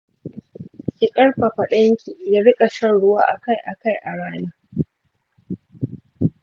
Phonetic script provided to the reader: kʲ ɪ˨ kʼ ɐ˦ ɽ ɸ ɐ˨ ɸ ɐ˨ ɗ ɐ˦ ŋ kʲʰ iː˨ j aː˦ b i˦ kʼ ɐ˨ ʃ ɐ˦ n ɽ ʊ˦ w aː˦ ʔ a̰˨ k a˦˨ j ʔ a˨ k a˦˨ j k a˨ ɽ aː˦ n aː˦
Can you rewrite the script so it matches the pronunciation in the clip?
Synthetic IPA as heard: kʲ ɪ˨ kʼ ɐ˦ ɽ ɸ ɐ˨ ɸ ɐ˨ ɗ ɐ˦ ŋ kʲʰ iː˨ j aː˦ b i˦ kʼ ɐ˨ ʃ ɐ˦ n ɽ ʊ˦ w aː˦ ʔ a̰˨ k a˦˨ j ʔ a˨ k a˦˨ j ʔ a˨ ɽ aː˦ n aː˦